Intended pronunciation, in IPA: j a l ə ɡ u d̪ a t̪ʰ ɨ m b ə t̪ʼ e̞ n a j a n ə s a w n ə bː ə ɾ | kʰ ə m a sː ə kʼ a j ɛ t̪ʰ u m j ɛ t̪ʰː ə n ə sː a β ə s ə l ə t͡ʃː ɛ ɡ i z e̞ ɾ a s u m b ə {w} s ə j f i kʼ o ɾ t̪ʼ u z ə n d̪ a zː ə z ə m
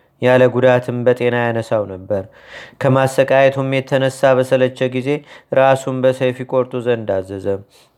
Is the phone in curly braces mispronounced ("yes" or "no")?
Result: yes